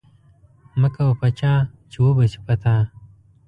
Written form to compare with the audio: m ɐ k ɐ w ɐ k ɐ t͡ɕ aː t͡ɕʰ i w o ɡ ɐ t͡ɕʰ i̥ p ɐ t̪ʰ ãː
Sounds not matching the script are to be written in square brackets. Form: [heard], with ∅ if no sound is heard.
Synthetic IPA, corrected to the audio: m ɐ k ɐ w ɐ [p] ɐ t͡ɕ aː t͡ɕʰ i w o [b] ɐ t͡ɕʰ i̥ p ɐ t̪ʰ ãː